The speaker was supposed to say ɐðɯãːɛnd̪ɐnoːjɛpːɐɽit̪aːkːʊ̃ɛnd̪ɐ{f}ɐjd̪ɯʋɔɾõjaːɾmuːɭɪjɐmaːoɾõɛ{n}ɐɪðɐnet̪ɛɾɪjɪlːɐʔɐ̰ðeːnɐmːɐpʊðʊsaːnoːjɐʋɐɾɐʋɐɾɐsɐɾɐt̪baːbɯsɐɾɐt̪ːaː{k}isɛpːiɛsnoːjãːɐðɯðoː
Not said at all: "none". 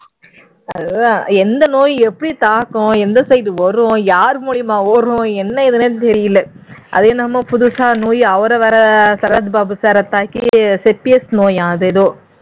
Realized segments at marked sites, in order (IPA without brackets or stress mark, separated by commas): s, nː, k